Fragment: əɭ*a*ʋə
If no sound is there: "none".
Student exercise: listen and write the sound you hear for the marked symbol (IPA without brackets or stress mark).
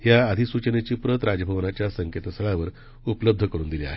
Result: a